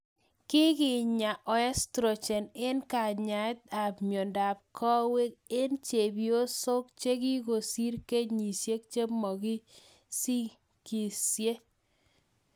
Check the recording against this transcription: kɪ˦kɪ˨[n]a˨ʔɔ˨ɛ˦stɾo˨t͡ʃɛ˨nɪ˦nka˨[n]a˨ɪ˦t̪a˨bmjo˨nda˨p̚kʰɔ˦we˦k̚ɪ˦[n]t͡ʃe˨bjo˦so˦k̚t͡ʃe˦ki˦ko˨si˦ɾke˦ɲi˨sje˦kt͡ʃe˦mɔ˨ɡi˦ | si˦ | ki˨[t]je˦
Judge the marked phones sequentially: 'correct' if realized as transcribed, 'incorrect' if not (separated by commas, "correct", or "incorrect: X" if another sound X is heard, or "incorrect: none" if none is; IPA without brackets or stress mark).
incorrect: ɲ, incorrect: ɲ, correct, incorrect: s